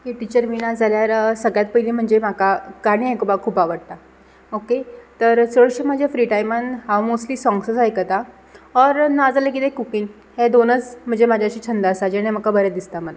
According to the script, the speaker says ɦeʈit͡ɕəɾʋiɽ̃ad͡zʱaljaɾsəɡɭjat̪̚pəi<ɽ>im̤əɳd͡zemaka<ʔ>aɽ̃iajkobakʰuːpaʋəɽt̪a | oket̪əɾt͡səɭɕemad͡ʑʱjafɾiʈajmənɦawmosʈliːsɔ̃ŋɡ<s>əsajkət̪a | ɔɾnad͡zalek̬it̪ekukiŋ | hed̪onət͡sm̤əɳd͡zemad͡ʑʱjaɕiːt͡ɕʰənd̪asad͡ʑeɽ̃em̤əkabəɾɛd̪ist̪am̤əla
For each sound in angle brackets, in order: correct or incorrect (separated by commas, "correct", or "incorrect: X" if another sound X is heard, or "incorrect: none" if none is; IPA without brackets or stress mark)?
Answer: incorrect: l, incorrect: k, correct